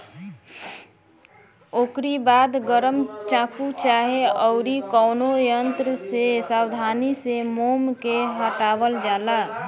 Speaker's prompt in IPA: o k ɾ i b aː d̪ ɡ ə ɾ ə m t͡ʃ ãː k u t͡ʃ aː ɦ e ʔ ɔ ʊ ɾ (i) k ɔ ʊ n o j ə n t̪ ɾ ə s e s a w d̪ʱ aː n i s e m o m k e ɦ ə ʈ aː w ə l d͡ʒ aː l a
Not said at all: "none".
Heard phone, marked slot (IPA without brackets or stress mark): i